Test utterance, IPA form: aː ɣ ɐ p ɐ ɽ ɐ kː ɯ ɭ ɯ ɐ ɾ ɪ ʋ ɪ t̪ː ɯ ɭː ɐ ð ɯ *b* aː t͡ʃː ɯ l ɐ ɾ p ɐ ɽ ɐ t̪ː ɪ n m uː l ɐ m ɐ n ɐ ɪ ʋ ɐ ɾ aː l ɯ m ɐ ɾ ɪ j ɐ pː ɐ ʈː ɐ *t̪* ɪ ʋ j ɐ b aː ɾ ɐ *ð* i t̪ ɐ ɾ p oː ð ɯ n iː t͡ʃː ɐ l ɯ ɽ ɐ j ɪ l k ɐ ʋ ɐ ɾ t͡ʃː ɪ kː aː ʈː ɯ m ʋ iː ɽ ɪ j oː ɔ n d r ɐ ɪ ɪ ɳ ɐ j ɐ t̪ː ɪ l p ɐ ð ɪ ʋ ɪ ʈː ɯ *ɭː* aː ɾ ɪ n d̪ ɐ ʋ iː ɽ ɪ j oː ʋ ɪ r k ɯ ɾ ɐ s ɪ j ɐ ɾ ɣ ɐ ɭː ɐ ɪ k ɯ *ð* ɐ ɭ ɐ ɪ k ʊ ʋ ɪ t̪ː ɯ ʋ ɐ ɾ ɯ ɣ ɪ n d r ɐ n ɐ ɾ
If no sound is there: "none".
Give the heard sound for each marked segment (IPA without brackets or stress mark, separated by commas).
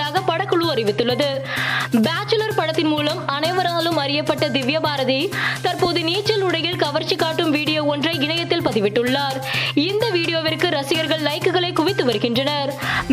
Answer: b, d̪, ð, ɭː, ɣ